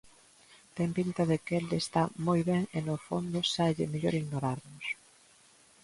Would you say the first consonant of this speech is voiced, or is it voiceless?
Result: voiceless